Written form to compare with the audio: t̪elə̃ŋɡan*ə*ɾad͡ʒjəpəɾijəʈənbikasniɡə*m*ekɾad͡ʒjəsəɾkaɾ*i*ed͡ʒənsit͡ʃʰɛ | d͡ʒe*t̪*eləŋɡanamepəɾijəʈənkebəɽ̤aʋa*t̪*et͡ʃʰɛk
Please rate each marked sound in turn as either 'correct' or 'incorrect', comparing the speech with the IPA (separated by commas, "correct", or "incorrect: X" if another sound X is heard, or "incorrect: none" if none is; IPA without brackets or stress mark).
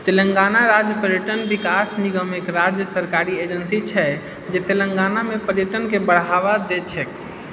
incorrect: a, correct, correct, correct, incorrect: d̪